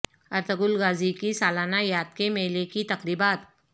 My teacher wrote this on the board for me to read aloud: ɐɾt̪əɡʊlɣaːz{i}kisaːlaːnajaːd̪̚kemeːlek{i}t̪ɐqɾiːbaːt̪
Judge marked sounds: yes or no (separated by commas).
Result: yes, yes